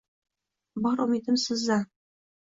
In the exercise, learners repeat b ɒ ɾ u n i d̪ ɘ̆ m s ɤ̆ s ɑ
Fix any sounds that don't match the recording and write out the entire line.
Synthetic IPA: b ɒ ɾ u m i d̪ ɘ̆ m s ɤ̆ z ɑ